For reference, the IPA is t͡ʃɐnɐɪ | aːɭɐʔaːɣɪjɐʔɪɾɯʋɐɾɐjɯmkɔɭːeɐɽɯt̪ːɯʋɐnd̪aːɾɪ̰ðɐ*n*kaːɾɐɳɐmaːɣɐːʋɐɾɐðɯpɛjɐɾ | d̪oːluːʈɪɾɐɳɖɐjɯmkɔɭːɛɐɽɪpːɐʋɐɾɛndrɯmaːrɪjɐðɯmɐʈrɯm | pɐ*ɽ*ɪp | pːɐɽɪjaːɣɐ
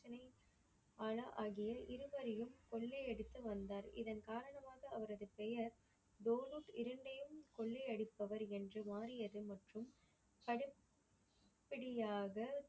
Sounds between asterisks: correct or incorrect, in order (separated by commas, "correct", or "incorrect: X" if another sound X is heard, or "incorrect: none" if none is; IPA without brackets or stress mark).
correct, correct